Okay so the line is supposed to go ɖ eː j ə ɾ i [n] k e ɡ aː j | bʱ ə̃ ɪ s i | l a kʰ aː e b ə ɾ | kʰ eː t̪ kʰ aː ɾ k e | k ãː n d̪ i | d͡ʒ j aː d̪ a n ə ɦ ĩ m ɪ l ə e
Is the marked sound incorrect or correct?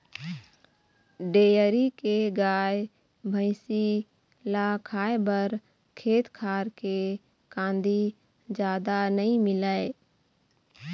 incorrect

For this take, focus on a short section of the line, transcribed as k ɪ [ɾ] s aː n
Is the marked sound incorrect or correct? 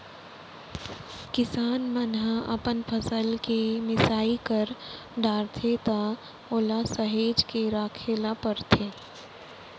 incorrect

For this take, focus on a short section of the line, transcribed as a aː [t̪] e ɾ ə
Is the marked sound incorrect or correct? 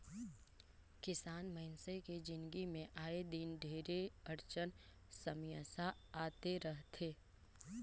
correct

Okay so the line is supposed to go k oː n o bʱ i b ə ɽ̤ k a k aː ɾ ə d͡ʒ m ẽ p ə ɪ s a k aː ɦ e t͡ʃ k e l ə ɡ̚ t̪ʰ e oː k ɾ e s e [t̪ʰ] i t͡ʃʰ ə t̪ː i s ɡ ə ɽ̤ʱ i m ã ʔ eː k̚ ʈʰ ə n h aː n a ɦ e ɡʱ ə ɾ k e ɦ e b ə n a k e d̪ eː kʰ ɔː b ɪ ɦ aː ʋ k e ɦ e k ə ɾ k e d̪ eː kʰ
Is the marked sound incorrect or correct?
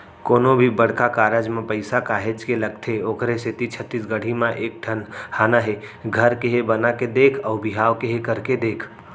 incorrect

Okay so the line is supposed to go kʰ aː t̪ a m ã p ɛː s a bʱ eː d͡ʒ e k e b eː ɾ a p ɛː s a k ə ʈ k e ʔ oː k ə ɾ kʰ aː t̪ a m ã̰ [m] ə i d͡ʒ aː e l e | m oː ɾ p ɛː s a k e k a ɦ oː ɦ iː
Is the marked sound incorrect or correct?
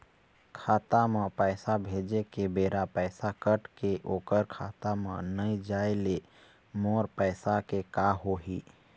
incorrect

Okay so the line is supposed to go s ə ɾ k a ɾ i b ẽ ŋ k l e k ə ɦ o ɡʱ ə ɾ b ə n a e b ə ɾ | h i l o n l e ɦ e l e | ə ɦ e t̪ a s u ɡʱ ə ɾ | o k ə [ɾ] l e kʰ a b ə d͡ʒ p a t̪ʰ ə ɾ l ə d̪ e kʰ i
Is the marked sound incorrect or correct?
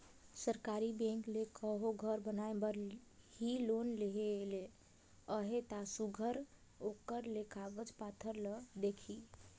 correct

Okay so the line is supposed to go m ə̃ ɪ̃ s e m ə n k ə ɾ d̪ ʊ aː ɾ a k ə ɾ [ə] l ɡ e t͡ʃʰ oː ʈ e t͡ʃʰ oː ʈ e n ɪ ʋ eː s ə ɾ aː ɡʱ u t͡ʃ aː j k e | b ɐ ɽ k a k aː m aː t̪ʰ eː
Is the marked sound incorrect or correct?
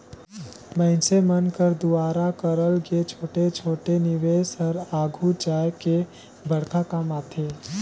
correct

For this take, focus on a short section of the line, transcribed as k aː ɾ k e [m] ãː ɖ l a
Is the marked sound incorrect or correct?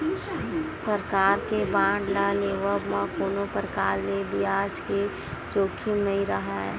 incorrect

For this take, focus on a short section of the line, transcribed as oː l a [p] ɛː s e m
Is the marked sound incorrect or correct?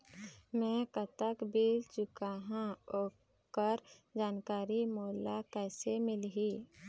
incorrect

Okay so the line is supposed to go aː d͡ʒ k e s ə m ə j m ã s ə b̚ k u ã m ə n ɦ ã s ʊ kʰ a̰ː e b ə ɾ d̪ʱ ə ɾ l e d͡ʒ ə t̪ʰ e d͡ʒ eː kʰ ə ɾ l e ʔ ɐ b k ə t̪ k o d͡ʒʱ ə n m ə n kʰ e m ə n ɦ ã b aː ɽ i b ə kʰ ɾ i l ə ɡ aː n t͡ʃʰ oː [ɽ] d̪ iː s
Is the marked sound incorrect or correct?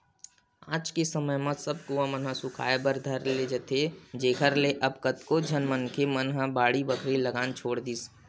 correct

